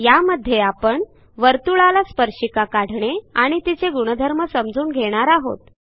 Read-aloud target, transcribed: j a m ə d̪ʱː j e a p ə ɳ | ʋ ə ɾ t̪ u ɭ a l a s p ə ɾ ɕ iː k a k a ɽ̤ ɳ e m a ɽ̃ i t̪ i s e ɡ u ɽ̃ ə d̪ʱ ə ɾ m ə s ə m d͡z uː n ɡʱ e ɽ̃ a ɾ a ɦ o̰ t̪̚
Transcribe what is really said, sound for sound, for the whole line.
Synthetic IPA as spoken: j a m ə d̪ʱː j e a p ə ɳ | ʋ ə ɾ t̪ u ɭ a l a s p ə ɾ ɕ i k a k a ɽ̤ ɳ e a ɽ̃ i t̪ i t͡s e ɡ u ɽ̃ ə d̪ʱ ə ɾ m ə s ə m d͡z uː n ɡʱ e ɽ̃ a ɾ a ɦ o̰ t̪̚